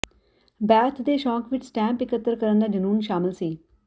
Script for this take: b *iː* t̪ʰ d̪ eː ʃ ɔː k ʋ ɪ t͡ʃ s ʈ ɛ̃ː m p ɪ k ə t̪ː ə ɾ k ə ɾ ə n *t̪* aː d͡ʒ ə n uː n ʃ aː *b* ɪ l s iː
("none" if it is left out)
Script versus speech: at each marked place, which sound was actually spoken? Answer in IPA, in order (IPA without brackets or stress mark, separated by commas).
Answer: ɛː, d̪, m